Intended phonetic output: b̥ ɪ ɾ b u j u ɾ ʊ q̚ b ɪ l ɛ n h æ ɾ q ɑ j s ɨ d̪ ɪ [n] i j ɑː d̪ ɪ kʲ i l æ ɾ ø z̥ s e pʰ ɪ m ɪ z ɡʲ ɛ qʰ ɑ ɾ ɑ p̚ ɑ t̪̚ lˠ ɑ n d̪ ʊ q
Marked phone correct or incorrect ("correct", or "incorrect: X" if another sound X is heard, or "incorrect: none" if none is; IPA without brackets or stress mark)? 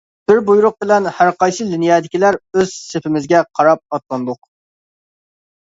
correct